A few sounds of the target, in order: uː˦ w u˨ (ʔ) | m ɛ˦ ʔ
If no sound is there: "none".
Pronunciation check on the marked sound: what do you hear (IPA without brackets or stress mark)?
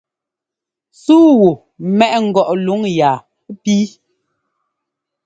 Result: none